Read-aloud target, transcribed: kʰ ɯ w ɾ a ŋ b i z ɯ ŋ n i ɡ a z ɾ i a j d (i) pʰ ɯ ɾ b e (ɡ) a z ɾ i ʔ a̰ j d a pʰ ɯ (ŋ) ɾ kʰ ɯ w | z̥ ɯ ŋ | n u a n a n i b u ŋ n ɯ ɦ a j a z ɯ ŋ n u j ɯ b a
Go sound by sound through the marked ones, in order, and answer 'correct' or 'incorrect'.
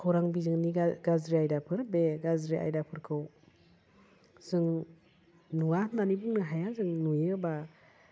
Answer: incorrect: a, correct, incorrect: none

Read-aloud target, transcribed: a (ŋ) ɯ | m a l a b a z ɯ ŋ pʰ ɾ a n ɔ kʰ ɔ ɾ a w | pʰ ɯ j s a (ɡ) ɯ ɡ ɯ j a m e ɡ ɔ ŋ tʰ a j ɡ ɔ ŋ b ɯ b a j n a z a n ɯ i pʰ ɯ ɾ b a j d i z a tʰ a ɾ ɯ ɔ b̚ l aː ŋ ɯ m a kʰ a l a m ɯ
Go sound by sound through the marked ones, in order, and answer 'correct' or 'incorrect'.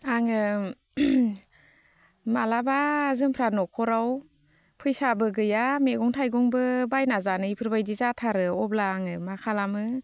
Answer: correct, incorrect: b

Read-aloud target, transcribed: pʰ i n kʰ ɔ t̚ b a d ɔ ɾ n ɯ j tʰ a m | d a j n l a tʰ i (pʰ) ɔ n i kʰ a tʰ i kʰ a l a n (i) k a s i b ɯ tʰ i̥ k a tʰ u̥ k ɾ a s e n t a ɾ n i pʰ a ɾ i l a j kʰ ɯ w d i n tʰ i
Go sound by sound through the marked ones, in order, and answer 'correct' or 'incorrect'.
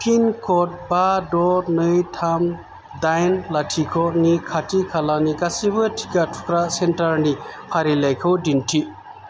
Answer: incorrect: kʰ, correct

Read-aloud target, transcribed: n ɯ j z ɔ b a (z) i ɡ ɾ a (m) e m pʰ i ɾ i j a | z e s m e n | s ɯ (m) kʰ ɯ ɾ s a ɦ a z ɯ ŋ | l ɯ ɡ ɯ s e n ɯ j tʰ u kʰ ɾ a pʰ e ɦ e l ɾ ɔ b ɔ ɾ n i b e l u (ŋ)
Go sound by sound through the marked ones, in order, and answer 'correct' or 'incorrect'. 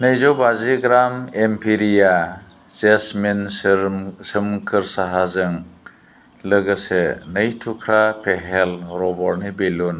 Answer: correct, correct, correct, incorrect: n

